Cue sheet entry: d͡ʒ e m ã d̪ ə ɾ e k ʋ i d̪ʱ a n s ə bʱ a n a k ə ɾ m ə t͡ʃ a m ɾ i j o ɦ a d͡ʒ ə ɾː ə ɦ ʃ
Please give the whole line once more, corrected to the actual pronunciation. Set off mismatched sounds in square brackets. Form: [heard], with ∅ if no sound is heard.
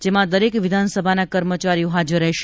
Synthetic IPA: d͡ʒ e m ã d̪ ə ɾ e k ʋ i d̪ʱ a n s ə bʱ a n a k ə ɾ m ə t͡ʃ a [∅] ɾ i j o ɦ a d͡ʒ ə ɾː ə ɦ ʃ